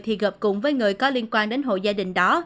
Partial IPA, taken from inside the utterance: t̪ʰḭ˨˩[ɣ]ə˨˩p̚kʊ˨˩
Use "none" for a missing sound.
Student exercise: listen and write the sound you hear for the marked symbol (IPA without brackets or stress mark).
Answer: ɣ